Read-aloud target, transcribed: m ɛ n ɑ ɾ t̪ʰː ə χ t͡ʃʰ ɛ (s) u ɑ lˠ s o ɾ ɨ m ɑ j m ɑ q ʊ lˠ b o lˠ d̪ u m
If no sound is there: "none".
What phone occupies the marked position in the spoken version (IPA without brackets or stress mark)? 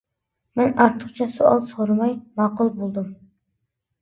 s